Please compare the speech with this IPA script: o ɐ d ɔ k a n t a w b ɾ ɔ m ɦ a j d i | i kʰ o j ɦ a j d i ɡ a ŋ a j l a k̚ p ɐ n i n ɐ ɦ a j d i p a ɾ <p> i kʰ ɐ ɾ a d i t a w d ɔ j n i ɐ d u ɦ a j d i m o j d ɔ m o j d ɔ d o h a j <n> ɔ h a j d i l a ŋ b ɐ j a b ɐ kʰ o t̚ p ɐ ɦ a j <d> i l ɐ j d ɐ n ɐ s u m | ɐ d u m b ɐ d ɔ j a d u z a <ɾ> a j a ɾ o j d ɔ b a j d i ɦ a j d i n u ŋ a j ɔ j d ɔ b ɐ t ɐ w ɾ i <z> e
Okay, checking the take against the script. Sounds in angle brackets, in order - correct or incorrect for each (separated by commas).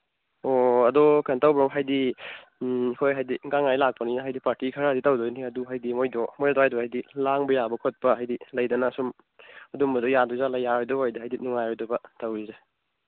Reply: incorrect, incorrect, correct, incorrect, correct